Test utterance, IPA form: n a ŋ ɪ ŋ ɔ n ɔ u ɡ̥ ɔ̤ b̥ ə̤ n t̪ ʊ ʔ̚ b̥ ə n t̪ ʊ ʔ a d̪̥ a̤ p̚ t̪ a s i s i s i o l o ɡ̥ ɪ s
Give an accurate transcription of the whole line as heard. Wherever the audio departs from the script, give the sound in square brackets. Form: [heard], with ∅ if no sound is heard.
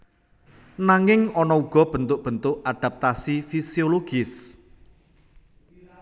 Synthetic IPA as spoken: n a ŋ ɪ ŋ ɔ n ɔ u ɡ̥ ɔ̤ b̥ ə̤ n t̪ ʊ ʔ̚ b̥ ə n t̪ ʊ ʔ a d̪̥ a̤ p̚ t̪ a s i [f] i s i o l o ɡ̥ ɪ s